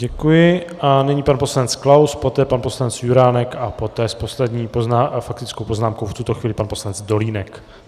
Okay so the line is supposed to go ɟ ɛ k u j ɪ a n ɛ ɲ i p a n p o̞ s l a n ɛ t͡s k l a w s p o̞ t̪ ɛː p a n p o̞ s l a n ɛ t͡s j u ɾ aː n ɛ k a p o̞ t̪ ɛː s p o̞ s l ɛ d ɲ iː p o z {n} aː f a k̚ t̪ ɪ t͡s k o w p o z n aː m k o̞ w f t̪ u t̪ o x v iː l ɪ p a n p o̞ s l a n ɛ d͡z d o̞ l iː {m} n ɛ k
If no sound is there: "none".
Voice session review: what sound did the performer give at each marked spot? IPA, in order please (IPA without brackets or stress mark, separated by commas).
n, none